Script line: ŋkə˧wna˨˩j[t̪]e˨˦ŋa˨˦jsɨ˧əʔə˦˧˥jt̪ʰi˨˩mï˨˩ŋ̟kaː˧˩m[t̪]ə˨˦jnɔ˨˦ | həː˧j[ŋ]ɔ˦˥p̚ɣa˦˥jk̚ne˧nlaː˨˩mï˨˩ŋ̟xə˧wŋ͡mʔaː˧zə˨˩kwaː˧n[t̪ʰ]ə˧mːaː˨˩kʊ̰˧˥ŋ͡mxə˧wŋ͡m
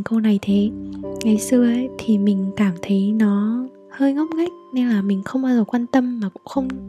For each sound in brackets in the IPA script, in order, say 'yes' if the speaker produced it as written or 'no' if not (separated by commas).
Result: no, no, yes, no